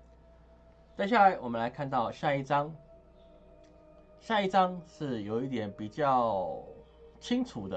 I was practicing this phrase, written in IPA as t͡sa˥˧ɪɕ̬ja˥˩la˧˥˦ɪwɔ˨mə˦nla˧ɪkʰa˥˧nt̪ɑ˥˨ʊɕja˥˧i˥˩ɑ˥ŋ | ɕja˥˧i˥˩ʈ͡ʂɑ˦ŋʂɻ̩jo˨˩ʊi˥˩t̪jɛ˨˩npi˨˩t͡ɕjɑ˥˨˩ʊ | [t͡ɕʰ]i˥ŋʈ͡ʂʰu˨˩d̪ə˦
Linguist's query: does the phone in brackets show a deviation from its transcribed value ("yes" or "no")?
no